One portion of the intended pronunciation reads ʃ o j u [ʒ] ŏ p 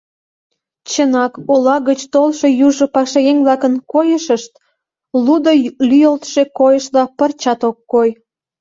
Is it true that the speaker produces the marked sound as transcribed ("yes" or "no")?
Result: yes